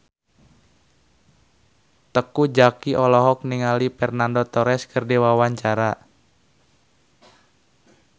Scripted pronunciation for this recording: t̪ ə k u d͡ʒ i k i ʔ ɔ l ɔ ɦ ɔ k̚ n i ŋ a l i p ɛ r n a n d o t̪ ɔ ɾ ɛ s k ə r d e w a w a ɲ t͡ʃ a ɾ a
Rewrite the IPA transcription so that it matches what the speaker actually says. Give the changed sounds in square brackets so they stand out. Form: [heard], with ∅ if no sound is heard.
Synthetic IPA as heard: t̪ ə k u d͡ʒ [a] k i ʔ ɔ l ɔ ɦ ɔ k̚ n i ŋ a l i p ɛ r n a n d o t̪ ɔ ɾ ɛ s k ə r d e w a w a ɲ t͡ʃ a ɾ a